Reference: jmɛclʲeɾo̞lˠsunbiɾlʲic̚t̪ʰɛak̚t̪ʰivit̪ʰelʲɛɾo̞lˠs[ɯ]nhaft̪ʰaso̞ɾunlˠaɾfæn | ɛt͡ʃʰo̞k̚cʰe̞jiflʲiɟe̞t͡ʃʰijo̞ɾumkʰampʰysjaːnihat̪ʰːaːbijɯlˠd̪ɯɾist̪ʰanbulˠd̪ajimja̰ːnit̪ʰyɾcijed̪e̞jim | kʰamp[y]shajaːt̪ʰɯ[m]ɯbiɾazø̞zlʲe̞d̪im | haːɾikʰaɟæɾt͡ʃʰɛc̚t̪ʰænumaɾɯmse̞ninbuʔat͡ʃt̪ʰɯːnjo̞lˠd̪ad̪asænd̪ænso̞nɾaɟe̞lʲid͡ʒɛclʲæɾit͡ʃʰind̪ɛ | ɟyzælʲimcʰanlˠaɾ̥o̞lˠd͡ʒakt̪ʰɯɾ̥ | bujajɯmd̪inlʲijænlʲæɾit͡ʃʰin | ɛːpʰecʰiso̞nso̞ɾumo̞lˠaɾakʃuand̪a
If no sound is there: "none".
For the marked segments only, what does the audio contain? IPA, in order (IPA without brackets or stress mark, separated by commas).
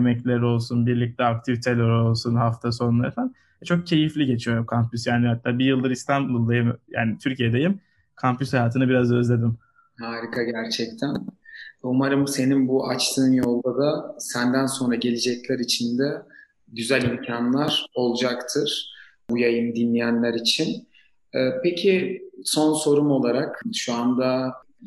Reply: u, y, n